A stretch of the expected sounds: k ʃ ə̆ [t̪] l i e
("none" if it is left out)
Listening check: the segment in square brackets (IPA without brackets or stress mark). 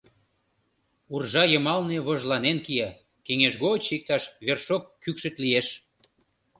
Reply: t̪